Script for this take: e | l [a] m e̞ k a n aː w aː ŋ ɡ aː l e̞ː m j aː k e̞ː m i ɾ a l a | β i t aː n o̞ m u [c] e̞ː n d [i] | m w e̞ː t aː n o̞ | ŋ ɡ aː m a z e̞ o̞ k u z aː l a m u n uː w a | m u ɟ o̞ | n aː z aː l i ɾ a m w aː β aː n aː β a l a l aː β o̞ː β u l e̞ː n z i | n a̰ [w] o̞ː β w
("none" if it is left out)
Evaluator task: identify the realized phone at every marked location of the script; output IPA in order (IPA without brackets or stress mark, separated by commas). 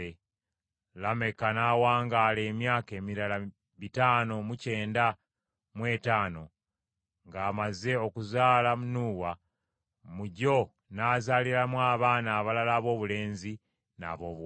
a, c, a, β